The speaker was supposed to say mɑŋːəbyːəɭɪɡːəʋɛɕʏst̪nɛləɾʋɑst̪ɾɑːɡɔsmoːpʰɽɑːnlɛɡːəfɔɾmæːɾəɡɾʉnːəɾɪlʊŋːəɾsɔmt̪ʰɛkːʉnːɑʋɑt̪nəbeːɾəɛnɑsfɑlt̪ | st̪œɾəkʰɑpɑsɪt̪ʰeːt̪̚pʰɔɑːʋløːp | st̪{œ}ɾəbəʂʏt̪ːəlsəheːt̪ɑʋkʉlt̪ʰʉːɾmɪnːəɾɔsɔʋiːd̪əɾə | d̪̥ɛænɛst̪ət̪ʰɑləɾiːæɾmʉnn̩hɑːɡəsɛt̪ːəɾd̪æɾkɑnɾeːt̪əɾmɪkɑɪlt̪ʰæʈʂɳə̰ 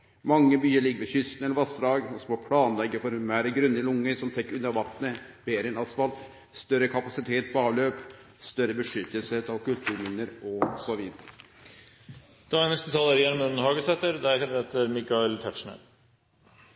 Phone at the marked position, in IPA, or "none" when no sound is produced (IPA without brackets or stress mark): œ